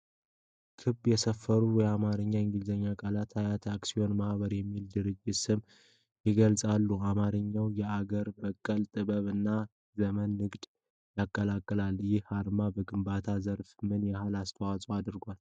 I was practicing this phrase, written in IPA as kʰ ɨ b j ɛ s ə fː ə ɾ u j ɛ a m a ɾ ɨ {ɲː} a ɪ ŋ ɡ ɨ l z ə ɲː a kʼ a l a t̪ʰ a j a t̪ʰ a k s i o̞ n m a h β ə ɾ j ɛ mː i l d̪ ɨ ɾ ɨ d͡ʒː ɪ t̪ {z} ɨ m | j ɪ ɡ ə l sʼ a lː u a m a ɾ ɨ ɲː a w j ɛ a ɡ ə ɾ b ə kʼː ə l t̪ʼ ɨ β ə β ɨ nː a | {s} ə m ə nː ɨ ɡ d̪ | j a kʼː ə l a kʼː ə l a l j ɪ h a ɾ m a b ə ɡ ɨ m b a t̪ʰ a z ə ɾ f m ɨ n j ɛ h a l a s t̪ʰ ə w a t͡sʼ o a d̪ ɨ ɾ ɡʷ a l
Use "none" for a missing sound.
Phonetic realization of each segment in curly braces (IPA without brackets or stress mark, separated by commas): ɲː, s, z